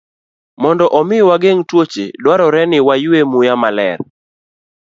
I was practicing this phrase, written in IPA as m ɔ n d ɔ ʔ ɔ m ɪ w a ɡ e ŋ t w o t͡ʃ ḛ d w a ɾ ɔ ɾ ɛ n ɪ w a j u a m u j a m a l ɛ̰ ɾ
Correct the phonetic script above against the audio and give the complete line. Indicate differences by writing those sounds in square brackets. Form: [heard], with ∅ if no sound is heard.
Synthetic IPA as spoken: m ɔ n d ɔ ʔ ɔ m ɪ w a ɡ e ŋ t w o t͡ʃ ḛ d w a ɾ ɔ ɾ ɛ n ɪ w a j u [e] m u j a m a l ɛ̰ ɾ